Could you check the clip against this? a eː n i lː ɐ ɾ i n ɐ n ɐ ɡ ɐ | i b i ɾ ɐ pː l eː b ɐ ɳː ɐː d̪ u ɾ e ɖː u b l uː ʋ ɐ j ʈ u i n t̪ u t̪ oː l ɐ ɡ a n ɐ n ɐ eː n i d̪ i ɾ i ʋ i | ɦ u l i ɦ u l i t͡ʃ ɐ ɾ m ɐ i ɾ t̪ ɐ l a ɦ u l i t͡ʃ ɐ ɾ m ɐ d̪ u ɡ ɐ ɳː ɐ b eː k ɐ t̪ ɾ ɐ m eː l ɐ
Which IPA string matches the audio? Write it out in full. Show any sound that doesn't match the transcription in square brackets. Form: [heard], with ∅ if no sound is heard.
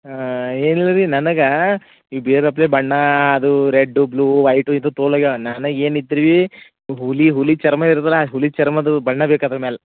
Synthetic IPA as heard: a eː n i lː ɐ ɾ i n ɐ n ɐ ɡ ɐ | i b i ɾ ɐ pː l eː b ɐ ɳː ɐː d̪ u ɾ e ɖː u b l uː ʋ ɐ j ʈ u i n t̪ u t̪ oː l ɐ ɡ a n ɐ n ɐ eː n i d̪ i ɾ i ʋ i | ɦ u l i ɦ u l i t͡ʃ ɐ ɾ m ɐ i ɾ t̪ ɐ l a ɦ u l i t͡ʃ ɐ ɾ m ɐ d̪ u [b] ɐ ɳː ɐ b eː k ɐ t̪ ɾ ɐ m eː l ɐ